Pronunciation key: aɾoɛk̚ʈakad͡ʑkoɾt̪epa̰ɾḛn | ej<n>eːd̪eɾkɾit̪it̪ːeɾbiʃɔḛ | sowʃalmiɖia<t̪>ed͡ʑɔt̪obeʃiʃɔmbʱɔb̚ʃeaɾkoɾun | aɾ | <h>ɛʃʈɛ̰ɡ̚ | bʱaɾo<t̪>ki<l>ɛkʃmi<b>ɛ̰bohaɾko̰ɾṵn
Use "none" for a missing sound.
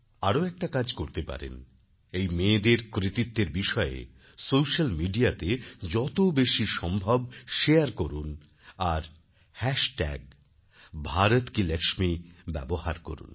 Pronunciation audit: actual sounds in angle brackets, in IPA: m, t̪, h, t̪, l, b

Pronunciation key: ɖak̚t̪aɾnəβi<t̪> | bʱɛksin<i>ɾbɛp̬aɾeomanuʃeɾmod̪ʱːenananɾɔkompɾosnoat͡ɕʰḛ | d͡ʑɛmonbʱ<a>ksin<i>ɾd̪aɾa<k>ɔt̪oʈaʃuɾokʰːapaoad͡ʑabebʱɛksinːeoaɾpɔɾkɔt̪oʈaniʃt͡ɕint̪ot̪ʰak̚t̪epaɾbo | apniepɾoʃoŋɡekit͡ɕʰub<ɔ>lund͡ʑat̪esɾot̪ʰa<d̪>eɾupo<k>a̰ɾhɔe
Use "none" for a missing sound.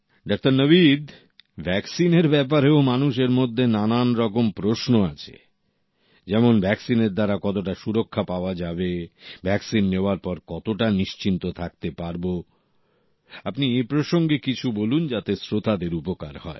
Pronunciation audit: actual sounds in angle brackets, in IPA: d̪, e, ɛ, e, k, o, d̪, k

